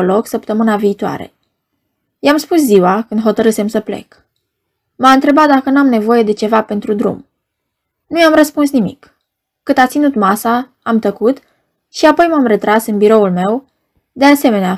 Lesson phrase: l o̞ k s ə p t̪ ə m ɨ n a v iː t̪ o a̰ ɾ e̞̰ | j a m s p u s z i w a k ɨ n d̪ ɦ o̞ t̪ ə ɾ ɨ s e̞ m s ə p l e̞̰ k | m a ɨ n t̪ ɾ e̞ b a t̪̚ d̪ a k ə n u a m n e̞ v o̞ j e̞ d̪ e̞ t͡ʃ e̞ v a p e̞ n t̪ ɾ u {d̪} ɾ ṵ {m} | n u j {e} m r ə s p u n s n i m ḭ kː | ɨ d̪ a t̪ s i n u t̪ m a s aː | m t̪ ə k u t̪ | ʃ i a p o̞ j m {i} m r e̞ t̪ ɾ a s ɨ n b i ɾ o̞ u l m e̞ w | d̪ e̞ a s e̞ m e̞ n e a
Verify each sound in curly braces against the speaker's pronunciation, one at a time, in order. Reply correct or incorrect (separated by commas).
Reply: correct, correct, incorrect, incorrect